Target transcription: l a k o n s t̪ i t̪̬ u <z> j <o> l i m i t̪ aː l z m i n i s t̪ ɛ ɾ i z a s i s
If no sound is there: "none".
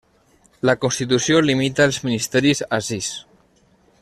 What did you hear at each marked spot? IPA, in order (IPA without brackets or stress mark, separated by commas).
s, o